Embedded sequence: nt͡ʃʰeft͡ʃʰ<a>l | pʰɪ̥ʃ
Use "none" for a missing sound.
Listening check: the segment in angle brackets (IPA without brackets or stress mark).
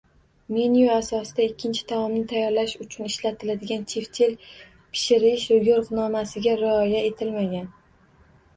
e